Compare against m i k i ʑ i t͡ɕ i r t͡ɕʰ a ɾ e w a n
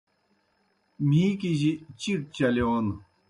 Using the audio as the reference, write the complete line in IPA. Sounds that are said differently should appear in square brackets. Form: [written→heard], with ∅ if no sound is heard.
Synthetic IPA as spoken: m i k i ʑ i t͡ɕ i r [t͡ɕʰ→t͡ɕ] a [ɾ→l] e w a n